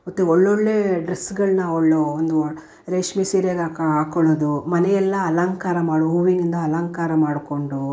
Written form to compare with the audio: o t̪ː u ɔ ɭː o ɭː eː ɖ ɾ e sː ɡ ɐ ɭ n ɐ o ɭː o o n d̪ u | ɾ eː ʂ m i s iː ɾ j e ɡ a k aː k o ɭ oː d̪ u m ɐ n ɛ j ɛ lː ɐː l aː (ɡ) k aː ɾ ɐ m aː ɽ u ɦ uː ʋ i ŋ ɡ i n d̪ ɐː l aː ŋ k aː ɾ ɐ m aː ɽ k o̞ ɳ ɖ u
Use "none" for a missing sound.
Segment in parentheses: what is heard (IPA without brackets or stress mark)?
ŋ